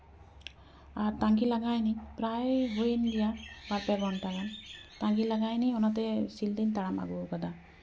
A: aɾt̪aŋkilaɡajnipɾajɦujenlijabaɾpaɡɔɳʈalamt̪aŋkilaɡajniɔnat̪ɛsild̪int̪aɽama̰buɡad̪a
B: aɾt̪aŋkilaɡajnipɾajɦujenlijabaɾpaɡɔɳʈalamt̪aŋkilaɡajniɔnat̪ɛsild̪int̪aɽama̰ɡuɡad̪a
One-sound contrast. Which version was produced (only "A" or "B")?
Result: B